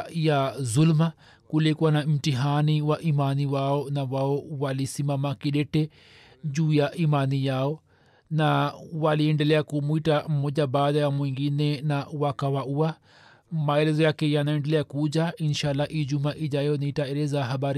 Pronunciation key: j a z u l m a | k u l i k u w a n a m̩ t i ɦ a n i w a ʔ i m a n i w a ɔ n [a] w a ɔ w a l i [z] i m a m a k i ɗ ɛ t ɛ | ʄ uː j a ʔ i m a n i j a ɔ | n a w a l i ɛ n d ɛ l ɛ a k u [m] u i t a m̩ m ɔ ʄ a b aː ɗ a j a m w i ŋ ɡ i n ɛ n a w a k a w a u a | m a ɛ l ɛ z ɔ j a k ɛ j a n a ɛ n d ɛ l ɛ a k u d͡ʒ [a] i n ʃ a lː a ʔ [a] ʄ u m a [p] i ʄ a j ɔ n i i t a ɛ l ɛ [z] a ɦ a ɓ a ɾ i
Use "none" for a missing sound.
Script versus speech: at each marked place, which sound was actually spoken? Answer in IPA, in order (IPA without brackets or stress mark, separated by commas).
a, s, m, a, i, ʔ, z